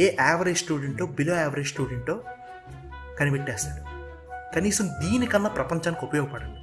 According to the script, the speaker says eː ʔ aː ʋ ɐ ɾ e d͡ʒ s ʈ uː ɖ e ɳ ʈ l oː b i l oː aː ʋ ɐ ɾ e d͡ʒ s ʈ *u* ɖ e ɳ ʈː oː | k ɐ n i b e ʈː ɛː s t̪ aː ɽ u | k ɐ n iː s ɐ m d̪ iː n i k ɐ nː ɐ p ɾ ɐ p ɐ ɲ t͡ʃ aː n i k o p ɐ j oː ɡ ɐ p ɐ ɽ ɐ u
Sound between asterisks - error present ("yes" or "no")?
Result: yes